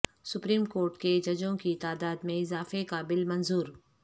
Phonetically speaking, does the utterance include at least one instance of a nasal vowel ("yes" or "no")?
yes